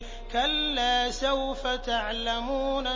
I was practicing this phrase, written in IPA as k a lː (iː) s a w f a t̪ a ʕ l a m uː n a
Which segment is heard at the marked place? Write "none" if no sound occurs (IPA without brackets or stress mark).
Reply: aː